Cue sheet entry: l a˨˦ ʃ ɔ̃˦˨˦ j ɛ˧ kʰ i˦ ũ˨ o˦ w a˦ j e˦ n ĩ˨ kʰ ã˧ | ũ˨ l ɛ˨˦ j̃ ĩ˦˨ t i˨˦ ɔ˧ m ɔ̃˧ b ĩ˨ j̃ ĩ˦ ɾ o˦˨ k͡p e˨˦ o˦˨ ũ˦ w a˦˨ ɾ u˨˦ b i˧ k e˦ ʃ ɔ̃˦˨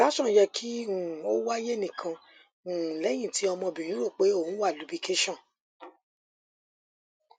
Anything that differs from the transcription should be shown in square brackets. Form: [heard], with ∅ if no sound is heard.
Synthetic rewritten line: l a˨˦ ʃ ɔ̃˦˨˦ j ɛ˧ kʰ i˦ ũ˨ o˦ w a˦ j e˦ n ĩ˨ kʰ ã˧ | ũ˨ l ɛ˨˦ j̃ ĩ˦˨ t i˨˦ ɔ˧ m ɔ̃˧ b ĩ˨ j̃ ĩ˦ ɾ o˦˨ k͡p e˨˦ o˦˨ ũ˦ w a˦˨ [l] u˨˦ b i˧ k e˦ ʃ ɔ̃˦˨